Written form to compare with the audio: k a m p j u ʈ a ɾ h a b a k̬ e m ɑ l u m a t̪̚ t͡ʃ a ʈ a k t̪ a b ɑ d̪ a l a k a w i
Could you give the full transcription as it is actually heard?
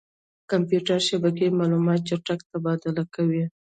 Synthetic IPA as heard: k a m p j u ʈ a ɾ ʃ a b a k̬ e m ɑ l u m ɑ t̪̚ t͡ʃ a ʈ a k t̪ a b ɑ d̪ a l a k a w i

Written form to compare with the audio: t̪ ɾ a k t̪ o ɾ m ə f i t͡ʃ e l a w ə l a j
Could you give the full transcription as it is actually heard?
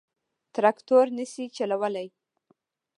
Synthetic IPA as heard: t̪ ɾ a k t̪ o ɾ n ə s i t͡ʃ a l a w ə l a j

